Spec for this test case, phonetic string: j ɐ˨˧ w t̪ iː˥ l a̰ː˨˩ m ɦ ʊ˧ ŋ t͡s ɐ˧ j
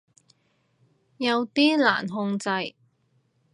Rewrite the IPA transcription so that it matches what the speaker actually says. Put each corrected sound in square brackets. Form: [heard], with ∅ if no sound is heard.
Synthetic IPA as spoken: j ɐ˨˧ w t̪ iː˥ l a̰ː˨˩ [n] ɦ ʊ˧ ŋ t͡s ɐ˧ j